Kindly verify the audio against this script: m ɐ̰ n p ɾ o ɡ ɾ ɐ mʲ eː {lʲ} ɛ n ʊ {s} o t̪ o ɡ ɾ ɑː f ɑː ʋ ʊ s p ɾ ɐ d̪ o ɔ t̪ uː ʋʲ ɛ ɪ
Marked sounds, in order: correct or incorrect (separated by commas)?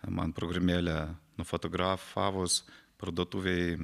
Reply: correct, incorrect